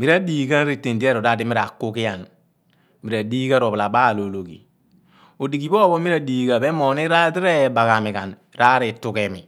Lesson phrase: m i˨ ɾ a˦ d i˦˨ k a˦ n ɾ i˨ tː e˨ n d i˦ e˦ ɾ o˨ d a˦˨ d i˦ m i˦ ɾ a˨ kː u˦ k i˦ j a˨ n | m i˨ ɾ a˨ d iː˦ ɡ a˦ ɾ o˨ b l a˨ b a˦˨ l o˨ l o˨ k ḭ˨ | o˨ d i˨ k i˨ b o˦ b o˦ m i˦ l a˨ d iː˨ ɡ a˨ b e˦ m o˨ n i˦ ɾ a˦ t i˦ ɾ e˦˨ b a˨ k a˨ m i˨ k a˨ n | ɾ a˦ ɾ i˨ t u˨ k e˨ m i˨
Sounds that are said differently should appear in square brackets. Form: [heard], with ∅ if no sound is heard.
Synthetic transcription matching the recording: m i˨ ɾ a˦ d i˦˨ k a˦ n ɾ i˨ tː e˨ n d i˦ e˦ ɾ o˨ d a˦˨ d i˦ m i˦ ɾ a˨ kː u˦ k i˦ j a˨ n | m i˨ ɾ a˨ d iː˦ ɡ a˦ ɾ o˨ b l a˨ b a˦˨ l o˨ l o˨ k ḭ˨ | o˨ d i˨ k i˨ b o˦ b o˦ m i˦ [ɾ] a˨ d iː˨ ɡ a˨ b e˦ m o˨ n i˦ ɾ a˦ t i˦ ɾ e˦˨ b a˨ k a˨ m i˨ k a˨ n | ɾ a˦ ɾ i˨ t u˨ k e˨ m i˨

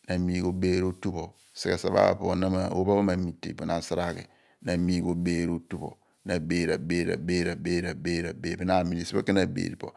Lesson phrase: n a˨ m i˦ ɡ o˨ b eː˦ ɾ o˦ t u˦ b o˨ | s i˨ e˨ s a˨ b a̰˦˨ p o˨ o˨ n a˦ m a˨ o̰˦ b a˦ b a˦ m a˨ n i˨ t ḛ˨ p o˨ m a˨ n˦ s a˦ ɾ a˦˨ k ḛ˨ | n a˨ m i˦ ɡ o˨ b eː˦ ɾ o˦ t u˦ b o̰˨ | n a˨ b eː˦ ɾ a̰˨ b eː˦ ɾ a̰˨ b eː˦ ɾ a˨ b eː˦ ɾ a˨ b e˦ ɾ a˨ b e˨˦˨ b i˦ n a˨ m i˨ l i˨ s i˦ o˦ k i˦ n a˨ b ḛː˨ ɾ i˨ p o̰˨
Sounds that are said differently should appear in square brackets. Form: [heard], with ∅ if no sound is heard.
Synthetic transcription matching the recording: n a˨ m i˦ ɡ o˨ b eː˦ ɾ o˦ t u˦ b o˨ | s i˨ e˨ s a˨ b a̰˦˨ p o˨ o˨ n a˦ m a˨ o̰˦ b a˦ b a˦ m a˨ [m] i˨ t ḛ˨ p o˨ [n] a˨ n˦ s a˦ ɾ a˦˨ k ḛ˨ | n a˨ m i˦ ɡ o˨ b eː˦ ɾ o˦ t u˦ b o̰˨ | n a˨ b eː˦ ɾ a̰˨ b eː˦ ɾ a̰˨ b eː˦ ɾ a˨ b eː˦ ɾ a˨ b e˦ ɾ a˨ b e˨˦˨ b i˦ n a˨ m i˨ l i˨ s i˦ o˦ k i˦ n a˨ b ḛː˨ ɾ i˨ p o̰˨

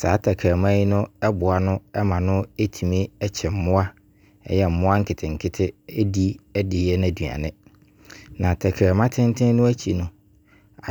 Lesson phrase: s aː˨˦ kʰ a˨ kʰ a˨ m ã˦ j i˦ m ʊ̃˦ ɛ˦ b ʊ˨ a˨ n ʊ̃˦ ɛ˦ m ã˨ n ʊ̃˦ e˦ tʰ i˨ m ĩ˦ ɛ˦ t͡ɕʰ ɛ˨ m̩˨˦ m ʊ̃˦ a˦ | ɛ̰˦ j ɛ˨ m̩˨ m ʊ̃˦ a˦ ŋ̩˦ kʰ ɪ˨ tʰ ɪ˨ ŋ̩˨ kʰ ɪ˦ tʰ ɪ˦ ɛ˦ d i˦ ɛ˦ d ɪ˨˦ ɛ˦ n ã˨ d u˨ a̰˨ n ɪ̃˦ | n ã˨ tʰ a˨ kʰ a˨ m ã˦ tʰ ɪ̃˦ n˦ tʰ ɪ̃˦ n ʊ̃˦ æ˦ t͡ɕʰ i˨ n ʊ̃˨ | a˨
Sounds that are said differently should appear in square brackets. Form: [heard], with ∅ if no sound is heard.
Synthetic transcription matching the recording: s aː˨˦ [tʰ] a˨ kʰ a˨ m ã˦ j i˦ [n] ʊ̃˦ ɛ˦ b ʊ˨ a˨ n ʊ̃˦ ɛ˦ m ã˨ n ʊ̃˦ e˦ tʰ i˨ m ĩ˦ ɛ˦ t͡ɕʰ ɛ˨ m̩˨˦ m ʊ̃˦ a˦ | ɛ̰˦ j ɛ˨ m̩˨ m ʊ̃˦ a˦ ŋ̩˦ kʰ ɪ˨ tʰ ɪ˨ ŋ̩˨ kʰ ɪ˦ tʰ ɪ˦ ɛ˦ d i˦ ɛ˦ d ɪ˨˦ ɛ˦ n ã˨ d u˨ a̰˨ n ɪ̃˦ | n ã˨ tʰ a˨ kʰ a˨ m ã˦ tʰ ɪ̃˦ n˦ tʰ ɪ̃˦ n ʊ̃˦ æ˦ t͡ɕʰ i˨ n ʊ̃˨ | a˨

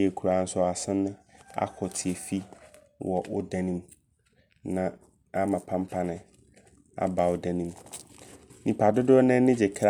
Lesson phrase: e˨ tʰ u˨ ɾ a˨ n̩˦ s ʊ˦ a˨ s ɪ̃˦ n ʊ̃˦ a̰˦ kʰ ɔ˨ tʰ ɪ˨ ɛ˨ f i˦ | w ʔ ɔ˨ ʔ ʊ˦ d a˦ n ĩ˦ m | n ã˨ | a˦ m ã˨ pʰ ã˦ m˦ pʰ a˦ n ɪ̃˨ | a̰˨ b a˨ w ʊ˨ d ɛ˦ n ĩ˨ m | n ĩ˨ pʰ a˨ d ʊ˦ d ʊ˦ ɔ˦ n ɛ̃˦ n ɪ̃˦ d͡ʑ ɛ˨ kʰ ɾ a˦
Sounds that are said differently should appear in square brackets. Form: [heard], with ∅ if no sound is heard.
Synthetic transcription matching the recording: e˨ [kʰ] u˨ ɾ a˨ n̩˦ s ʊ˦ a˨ s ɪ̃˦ n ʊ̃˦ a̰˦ kʰ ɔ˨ tʰ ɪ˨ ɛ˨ f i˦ | w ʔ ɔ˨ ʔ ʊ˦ d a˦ n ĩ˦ m | n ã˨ | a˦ m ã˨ pʰ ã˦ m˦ pʰ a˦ n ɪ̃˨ | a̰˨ b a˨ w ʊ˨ d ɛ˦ n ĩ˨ m | n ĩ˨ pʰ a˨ d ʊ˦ d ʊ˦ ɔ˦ n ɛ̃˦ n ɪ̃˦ d͡ʑ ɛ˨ kʰ ɾ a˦

